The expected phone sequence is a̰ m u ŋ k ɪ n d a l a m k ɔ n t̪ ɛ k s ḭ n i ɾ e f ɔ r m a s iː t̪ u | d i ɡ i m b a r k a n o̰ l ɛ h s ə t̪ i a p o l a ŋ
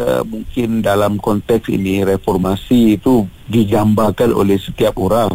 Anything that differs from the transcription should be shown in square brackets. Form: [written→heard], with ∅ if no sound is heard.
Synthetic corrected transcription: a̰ m u ŋ k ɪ n d a l a m k ɔ n t̪ ɛ k s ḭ n i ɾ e f ɔ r m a s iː t̪ u | d i ɡ [i→a] m b a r k a n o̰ l ɛ h s ə t̪ i a p o [l→ɾ] a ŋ